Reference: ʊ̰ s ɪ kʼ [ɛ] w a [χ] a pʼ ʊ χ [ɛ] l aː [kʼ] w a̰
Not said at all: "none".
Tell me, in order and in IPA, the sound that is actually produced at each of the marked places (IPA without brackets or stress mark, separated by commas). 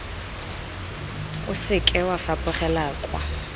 ɛ, f, ɛ, kʼ